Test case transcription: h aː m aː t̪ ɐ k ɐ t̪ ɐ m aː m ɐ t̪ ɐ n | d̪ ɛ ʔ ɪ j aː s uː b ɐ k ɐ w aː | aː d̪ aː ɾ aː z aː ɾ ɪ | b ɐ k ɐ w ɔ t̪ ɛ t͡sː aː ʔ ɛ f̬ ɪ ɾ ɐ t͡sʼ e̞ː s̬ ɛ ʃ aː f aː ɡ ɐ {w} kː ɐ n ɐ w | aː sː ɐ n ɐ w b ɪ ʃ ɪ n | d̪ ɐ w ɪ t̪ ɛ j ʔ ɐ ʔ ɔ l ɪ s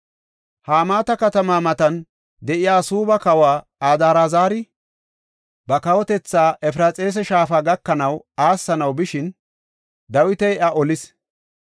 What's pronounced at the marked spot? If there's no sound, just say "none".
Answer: none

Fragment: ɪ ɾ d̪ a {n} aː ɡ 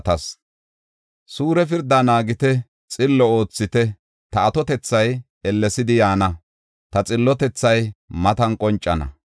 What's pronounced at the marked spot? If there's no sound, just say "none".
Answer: n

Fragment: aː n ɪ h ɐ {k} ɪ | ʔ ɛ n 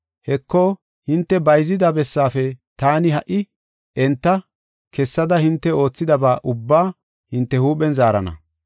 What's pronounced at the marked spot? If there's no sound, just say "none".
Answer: ʔ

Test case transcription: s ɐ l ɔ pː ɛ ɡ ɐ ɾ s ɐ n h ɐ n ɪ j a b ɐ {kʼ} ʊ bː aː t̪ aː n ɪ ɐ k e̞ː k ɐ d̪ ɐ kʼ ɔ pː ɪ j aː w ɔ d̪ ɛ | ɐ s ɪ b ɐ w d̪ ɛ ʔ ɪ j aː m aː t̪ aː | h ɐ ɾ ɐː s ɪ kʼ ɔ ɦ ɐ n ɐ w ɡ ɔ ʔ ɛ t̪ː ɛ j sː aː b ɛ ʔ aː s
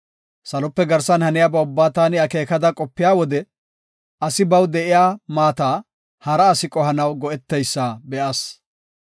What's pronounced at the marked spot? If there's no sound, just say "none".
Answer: none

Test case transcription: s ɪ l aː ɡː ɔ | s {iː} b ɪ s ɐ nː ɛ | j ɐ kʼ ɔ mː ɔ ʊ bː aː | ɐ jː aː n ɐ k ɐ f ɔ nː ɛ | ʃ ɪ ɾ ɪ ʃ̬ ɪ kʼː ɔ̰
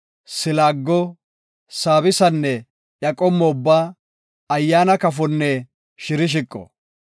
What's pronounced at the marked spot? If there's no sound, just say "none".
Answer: aː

